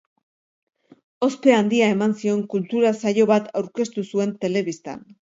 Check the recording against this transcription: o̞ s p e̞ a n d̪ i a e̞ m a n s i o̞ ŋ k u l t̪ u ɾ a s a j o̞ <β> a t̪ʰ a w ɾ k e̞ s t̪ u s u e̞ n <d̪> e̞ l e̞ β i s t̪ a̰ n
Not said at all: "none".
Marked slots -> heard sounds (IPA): β, t̪

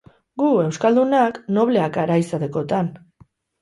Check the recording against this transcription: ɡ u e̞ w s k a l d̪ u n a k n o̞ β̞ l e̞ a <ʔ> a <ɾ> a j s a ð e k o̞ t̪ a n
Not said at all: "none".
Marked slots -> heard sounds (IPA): k, ɾ

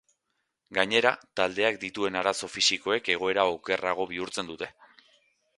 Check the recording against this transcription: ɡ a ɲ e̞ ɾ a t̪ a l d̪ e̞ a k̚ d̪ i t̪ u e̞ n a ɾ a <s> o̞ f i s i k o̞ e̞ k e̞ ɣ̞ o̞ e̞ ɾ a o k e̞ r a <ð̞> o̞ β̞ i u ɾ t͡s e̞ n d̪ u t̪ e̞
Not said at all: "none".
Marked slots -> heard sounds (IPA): s, ɣ̞

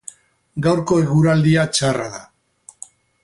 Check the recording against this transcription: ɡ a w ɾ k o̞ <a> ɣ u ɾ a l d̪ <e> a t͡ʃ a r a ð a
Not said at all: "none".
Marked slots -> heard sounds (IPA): e, i

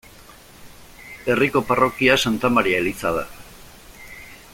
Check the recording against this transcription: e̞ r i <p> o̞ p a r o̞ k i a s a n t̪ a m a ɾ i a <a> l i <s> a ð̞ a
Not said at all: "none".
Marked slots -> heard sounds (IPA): k, e, t͡s

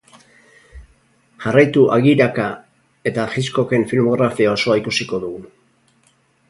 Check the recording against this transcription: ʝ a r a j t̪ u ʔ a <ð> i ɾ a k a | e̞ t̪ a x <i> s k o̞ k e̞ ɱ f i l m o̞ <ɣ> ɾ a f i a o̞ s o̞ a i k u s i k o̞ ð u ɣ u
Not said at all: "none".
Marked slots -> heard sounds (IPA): ɣ, i, ɣ

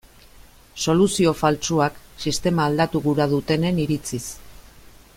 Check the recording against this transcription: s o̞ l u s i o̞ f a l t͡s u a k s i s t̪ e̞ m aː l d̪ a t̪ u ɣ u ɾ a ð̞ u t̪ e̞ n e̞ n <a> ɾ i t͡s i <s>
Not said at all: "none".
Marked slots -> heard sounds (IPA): i, s

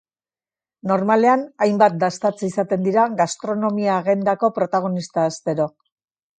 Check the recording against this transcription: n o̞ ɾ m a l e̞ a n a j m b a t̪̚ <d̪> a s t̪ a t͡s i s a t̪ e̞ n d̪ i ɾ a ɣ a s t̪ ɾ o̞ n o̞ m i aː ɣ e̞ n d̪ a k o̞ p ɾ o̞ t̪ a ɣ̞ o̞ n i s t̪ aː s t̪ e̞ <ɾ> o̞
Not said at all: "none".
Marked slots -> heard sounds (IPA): d̪, ɾ

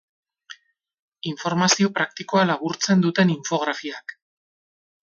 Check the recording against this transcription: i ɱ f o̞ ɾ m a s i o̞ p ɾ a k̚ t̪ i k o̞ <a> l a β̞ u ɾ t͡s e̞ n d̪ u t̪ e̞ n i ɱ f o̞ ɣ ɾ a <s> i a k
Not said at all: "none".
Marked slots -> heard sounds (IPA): a, f

